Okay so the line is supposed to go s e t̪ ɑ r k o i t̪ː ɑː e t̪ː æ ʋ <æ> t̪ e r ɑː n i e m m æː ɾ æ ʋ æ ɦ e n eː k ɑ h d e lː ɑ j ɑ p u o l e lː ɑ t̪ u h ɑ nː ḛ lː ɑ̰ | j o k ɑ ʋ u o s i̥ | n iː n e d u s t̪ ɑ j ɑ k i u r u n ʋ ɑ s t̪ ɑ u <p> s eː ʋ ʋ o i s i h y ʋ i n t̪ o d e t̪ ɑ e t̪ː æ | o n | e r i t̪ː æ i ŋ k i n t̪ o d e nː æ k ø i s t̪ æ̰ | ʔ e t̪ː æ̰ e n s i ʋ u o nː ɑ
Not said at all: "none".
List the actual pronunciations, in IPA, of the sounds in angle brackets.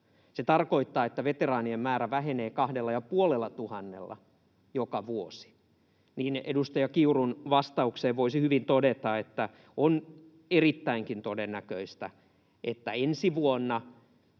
e, k

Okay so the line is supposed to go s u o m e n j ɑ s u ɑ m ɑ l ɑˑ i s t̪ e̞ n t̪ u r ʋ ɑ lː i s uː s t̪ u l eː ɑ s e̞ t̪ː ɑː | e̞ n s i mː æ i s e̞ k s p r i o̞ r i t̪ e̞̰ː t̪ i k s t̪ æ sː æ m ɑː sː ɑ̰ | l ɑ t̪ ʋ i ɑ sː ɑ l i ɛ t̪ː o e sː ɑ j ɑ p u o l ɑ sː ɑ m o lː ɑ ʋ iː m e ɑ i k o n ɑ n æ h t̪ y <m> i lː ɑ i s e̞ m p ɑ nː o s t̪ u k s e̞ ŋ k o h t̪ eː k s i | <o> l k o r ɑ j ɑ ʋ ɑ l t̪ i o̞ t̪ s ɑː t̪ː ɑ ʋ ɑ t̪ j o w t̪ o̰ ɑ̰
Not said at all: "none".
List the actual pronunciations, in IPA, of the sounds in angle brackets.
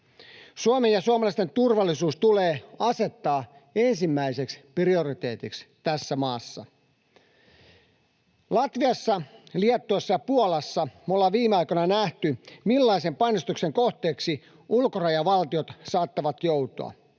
m, u

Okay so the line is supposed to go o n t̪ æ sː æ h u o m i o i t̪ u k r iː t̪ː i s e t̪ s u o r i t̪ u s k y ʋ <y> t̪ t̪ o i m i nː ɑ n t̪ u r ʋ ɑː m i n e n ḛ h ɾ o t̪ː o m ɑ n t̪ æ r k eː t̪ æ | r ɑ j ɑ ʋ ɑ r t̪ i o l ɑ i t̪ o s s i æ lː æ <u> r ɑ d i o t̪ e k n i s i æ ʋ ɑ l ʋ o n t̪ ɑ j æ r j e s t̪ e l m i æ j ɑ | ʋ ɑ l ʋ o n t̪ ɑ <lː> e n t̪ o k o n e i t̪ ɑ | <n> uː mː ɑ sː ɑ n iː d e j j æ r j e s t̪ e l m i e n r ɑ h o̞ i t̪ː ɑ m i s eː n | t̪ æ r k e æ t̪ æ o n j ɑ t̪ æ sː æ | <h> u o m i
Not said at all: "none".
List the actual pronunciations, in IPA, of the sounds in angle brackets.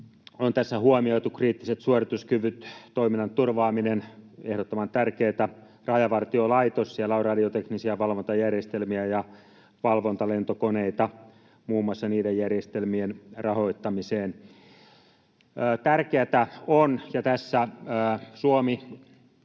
y, o, l, m, s

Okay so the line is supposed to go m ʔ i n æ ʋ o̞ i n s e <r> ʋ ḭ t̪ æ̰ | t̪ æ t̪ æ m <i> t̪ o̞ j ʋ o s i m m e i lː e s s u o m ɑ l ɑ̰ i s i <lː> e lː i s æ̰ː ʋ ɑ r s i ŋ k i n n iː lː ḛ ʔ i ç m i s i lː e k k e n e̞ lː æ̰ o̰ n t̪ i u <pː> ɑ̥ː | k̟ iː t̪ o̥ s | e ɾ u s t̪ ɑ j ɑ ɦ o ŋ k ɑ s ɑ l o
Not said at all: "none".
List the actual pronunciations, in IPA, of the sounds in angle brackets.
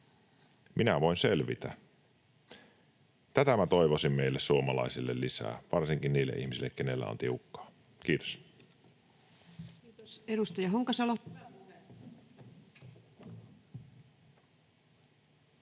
l, æ, lː, kː

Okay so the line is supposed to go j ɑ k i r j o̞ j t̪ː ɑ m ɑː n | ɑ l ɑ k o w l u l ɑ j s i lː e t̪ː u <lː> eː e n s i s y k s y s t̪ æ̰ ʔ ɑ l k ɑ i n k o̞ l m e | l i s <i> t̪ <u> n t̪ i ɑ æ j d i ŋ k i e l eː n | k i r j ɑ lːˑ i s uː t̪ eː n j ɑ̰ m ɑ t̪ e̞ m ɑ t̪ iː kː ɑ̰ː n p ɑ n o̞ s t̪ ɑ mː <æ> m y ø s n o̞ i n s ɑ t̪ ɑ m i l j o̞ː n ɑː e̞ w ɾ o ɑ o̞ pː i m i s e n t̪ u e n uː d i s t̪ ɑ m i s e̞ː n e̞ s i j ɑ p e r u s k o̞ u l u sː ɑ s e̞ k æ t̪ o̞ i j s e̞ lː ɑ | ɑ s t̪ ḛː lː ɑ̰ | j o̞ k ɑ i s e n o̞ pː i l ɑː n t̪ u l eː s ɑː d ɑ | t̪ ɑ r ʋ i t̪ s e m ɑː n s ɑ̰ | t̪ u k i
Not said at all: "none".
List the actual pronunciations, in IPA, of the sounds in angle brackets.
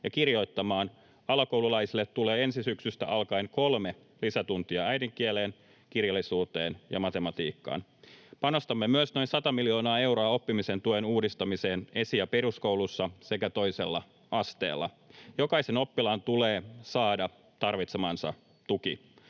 l, æ, u, e

